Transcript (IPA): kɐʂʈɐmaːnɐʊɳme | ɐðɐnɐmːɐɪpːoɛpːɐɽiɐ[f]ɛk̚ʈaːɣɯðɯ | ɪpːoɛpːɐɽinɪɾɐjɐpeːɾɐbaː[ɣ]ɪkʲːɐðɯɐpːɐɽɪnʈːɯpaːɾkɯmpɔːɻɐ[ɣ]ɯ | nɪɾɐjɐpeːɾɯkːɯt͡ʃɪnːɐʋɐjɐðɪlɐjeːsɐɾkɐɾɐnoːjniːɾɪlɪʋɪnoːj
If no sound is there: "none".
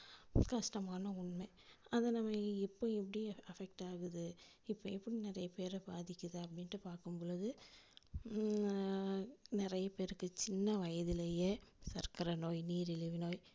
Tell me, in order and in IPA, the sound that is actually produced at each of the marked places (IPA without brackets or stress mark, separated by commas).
f, ð, ð